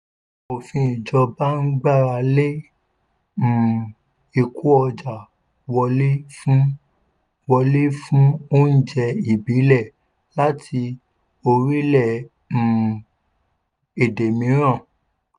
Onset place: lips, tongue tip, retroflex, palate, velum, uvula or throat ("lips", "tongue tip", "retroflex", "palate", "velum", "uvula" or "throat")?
lips